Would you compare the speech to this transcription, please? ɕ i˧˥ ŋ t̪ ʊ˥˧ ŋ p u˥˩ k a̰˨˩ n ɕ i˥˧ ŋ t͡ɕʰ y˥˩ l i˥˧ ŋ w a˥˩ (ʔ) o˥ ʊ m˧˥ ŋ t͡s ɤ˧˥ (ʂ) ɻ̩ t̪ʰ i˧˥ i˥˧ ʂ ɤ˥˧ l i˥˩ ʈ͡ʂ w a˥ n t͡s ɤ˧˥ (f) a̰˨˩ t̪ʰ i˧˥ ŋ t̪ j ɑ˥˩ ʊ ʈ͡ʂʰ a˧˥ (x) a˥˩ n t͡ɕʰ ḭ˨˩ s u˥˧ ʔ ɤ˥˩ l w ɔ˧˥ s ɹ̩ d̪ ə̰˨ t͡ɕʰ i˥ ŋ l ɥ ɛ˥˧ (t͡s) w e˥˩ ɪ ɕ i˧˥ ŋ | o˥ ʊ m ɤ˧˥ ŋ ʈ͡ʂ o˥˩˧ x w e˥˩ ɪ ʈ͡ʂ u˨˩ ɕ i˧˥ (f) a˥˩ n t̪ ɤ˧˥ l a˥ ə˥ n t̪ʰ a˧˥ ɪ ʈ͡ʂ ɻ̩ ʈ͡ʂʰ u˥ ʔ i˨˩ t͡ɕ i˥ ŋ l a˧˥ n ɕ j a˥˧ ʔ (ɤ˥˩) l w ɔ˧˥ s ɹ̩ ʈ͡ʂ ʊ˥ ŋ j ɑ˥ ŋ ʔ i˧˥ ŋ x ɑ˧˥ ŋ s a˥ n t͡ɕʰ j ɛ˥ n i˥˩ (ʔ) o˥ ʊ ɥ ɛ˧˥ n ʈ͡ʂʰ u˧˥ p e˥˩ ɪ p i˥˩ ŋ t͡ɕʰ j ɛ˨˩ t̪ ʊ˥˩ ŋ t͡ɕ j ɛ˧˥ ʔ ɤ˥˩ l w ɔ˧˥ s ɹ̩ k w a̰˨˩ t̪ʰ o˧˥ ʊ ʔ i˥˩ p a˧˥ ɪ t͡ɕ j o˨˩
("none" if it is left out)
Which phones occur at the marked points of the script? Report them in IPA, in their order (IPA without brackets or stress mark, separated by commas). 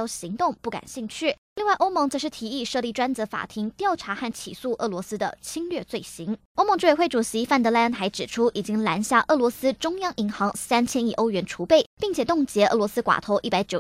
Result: ʔ, ʂ, f, x, t͡s, f, ɤ˥˩, ʔ